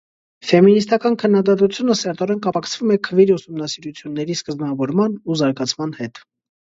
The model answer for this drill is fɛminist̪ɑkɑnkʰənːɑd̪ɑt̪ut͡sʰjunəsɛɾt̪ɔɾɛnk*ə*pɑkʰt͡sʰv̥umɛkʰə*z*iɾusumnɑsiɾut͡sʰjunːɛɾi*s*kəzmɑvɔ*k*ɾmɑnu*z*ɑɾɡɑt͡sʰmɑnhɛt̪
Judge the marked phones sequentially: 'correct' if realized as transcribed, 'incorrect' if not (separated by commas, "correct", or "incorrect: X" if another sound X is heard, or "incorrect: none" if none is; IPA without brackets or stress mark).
incorrect: ɑ, incorrect: v, correct, incorrect: none, correct